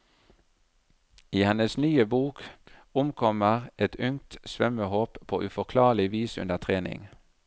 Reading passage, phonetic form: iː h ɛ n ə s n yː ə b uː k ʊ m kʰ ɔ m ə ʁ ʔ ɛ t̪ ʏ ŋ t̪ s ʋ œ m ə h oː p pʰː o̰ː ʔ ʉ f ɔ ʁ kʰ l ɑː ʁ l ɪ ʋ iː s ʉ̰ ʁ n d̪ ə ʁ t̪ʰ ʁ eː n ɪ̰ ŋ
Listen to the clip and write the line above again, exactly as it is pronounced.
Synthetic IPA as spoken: iː h ɛ n ə s n yː ə b uː k ʊ m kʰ ɔ m ə ʁ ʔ ɛ t̪ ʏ ŋ t̪ s ʋ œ m ə h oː p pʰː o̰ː ʔ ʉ f ɔ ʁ kʰ l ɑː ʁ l ɪ ʋ iː s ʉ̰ n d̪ ə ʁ t̪ʰ ʁ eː n ɪ̰ ŋ